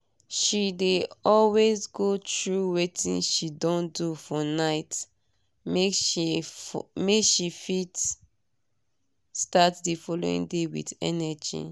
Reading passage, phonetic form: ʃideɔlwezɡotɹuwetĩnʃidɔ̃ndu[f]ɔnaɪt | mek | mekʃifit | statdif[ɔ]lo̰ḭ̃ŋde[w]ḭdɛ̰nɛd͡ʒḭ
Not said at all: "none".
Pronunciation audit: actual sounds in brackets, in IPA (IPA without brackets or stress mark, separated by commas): f, ɔ, w